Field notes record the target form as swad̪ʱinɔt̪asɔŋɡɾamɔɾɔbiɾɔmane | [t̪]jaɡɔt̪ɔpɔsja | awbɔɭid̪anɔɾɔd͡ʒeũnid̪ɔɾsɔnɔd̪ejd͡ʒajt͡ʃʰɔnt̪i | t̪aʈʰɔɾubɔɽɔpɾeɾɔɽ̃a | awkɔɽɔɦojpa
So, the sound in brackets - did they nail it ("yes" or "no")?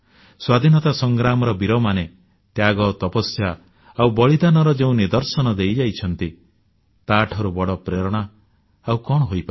yes